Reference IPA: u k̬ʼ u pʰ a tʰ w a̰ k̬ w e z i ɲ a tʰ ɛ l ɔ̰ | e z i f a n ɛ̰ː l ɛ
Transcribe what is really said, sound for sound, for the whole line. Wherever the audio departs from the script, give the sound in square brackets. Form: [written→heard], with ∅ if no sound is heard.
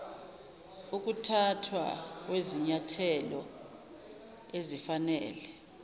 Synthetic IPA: u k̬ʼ u [pʰ→tʰ] a tʰ w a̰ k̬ w e z i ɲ a tʰ ɛ l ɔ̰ | e z i f a n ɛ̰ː l ɛ